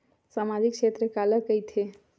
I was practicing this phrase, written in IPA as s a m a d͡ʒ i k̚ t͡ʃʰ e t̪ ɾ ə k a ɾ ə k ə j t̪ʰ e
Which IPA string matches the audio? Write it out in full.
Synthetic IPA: s a m a d͡ʒ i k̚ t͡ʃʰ e t̪ ɾ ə k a l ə k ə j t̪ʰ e